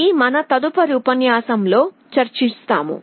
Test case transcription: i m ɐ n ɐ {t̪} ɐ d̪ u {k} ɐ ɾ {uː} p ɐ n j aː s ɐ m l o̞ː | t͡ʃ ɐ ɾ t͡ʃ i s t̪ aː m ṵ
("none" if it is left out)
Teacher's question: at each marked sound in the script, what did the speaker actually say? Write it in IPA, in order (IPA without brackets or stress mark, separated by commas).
t̪, p, uː